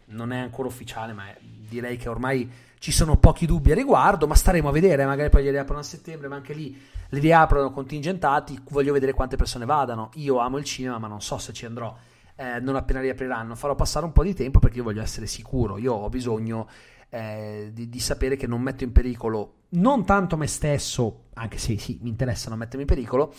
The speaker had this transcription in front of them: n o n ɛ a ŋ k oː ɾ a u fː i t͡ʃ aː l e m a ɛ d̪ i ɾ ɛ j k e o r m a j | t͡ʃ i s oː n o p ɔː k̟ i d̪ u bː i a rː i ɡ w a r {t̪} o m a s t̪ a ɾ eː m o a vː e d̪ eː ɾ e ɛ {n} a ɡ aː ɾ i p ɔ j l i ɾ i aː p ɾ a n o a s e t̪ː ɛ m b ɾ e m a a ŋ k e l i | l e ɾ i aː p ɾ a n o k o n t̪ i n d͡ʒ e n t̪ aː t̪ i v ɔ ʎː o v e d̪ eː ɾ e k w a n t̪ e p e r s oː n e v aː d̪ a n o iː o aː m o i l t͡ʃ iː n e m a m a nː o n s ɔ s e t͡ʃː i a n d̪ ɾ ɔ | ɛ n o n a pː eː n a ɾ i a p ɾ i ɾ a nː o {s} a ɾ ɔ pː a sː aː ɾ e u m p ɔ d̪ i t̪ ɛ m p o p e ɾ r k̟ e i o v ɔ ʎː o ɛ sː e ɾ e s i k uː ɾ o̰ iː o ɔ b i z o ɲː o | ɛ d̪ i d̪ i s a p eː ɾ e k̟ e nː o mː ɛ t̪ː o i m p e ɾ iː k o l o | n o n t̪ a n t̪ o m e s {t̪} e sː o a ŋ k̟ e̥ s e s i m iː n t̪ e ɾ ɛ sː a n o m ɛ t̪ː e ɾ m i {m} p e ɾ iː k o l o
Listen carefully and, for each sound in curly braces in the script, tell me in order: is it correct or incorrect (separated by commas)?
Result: incorrect, incorrect, incorrect, correct, correct